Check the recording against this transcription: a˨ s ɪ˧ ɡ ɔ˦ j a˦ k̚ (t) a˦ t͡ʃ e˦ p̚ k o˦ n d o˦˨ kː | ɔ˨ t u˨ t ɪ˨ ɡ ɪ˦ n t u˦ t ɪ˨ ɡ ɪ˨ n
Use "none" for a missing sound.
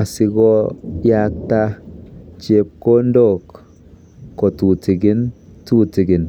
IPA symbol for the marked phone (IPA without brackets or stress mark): t